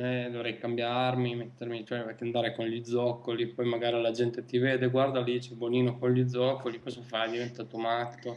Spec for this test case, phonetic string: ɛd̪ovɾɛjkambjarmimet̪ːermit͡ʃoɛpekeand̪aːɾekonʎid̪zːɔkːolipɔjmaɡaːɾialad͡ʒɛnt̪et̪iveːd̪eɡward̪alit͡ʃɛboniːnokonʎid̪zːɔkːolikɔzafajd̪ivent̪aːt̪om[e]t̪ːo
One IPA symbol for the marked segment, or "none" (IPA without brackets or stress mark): a